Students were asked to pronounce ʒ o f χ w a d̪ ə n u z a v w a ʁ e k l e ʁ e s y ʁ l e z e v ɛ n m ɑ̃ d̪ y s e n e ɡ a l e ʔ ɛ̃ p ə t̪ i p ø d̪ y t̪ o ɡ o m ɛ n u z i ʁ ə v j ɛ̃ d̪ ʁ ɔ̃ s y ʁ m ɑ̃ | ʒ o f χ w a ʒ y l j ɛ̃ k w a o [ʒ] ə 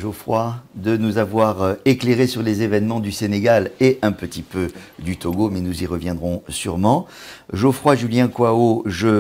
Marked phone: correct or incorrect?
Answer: correct